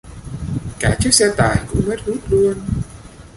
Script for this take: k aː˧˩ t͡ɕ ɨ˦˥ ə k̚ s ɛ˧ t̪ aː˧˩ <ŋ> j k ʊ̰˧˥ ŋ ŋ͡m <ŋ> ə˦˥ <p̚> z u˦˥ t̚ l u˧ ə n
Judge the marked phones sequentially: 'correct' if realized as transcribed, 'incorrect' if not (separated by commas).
incorrect, incorrect, incorrect